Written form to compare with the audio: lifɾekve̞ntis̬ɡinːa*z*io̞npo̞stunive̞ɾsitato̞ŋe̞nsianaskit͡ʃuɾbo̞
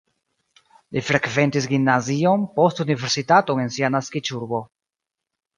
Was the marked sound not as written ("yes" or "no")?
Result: no